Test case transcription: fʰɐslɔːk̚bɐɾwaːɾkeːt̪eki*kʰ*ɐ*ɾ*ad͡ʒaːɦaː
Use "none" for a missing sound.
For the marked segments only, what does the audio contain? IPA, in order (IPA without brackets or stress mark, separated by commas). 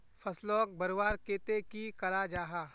k, ɾ